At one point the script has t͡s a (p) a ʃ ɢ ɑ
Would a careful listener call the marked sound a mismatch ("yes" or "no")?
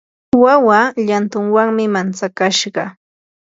yes